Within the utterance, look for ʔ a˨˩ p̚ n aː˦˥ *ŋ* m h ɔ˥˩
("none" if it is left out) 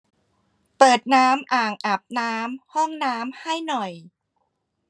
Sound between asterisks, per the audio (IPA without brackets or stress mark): none